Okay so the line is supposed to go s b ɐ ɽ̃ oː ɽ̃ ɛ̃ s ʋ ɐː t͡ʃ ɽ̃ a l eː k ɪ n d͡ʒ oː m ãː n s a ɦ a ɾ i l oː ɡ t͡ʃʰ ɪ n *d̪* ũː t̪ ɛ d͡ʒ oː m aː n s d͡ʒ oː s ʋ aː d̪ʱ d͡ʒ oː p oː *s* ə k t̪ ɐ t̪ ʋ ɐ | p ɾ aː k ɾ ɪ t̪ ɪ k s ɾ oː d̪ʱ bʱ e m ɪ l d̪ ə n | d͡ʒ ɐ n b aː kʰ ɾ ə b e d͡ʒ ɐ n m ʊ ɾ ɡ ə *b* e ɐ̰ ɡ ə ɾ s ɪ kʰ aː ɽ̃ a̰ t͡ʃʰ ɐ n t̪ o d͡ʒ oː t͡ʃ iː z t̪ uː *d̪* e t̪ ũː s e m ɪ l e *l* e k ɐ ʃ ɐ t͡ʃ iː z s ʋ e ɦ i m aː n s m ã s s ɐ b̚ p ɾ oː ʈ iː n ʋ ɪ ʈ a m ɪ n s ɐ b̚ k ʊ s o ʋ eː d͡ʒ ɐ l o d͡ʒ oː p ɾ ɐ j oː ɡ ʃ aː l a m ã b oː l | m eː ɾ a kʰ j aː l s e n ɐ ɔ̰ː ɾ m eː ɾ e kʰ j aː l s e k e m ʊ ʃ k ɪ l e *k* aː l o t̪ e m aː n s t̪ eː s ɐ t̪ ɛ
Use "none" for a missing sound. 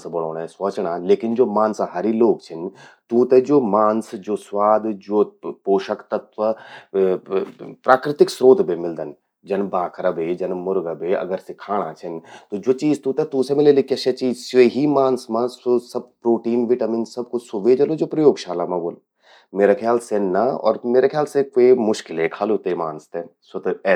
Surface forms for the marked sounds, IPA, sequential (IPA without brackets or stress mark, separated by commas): t̪, ʃ, b, t̪, l, kʰ